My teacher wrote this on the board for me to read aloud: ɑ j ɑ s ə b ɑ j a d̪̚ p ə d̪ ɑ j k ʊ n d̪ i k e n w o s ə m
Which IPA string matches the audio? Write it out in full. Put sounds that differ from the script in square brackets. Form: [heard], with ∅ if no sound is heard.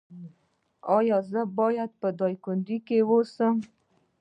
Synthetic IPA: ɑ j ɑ [z] ə b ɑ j a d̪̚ p ə d̪ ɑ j k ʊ n d̪ i k e [∅] w o s ə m

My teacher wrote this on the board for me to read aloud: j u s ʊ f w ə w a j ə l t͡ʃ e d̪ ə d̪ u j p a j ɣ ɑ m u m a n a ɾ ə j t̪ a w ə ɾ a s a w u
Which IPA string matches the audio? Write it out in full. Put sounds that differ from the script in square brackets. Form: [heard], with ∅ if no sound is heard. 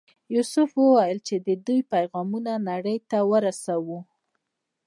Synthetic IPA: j u s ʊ f w ə w a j ə l t͡ʃ e d̪ ə d̪ u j p a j ɣ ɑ m u [n] a n a [ɽ] ə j t̪ a w ə ɾ a s a w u

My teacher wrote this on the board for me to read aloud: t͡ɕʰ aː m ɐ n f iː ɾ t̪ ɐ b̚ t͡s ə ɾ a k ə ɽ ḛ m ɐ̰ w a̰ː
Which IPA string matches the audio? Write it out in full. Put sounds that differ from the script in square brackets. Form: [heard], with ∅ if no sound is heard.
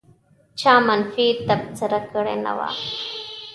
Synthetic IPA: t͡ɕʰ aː m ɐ n f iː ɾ t̪ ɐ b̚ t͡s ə ɾ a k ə ɽ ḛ [n] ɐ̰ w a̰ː

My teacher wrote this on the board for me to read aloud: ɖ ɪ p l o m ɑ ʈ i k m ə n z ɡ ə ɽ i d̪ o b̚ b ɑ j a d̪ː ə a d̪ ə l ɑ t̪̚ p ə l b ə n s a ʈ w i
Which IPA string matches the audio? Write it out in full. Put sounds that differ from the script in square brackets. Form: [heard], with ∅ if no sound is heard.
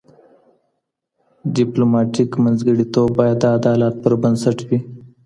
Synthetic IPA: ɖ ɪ p l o m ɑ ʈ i k m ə n z ɡ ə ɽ i [t̪] o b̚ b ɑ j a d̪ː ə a d̪ [ɑ] l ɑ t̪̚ p ə [ɾ] b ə n s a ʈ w i

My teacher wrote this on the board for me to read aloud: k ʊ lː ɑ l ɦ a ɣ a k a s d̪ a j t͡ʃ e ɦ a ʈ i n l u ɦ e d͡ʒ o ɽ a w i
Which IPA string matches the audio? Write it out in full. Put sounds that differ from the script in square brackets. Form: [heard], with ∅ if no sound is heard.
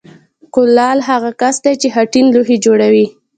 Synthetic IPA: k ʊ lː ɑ l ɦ a ɣ a k a s d̪ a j t͡ʃ e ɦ a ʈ i n l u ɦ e d͡ʒ o ɽ a w i

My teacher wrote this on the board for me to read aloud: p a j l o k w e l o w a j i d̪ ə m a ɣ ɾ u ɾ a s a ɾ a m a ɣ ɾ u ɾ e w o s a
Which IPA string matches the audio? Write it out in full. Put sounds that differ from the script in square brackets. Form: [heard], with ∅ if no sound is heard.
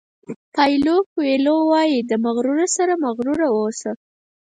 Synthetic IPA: p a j l o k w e l o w [ɑ] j i d̪ ə m a ɣ ɾ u ɾ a s a ɾ a m a ɣ ɾ u ɾ [a] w o s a

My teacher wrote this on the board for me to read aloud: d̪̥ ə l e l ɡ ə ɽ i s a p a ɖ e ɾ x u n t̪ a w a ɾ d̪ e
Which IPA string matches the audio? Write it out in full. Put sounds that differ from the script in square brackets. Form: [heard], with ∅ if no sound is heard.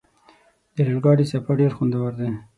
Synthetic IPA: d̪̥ ə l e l ɡ [ɑ] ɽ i s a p a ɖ e ɾ x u n [d̪] a w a ɾ d̪ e

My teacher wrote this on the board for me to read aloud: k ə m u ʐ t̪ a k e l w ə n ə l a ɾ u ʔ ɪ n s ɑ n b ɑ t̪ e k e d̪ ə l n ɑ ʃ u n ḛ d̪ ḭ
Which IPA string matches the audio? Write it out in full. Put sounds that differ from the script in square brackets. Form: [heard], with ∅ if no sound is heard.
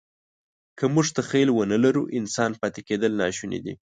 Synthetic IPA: k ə m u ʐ t̪ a [x] e l w ə n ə l a ɾ u ʔ ɪ n s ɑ n [p] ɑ t̪ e k e d̪ ə l n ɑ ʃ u n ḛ d̪ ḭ

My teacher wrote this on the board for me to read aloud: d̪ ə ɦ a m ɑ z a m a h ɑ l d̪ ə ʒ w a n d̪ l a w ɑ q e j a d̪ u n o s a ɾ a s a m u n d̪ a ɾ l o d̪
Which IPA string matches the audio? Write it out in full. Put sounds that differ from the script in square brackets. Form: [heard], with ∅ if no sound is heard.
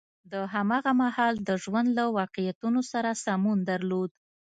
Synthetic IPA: d̪ ə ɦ a m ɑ [ɣ] a m a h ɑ l d̪ ə ʒ w a n d̪ l a w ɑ q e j a [t̪] u n o s a ɾ a s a m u n d̪ a ɾ l o d̪

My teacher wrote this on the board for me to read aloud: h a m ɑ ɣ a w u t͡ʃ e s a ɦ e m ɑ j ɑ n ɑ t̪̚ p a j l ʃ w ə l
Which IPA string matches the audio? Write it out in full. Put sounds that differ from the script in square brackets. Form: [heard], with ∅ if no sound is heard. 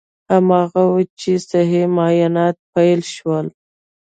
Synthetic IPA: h a m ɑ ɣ a w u t͡ʃ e s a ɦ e m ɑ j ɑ n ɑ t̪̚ p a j l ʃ w ə l

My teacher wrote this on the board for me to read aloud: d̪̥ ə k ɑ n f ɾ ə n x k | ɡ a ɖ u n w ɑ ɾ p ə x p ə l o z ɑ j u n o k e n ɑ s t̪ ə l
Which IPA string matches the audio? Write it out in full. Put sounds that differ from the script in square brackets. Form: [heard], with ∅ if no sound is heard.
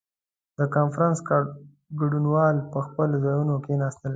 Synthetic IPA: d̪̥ ə k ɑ n f ɾ [ɑ] n [s] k | ɡ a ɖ u n w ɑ [l] p ə x p ə l o z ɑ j u n o k e n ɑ s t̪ ə l

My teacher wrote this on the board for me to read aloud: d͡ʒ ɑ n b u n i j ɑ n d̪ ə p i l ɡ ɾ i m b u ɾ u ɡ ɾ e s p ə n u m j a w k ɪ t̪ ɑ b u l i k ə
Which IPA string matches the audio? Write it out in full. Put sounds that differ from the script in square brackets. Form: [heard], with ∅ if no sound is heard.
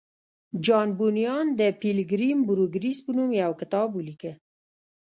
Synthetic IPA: d͡ʒ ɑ n b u n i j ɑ n d̪ ə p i l ɡ ɾ i m b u ɾ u ɡ ɾ [i] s p ə n u m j a w k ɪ t̪ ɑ b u l i k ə

